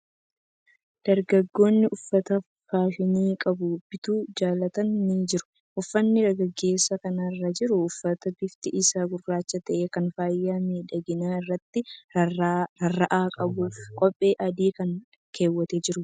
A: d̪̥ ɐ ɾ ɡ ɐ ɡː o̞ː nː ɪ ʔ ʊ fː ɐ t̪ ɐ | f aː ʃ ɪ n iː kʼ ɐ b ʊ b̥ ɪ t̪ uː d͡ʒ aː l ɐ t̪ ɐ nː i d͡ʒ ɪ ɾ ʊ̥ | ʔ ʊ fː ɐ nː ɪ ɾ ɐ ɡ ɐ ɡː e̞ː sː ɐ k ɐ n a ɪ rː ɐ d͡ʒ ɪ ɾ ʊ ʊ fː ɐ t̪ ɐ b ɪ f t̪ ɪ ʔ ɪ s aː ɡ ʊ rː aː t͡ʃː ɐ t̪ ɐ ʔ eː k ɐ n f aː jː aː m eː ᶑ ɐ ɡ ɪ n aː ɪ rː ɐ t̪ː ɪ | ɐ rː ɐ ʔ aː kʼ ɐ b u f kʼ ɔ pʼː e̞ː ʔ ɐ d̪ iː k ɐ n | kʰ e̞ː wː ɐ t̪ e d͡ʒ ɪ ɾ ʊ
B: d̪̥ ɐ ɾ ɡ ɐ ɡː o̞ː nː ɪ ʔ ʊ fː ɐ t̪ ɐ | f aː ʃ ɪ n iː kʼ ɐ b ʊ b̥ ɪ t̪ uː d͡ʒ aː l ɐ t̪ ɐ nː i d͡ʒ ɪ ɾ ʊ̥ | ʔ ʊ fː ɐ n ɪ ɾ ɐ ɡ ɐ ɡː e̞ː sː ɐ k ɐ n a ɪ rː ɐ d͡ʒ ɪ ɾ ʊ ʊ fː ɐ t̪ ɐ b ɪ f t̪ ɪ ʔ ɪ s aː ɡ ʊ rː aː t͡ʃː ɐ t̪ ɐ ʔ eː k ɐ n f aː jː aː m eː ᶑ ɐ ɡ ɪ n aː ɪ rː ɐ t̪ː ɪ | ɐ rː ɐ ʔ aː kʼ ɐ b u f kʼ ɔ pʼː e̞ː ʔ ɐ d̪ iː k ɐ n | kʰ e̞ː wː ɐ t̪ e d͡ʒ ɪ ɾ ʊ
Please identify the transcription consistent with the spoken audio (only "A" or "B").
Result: A